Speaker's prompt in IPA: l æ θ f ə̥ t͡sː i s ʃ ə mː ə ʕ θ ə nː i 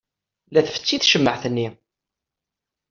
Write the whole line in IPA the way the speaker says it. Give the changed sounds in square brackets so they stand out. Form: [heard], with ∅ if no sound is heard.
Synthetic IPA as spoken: l æ θ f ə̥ t͡sː i [θ] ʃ ə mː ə ʕ θ ə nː i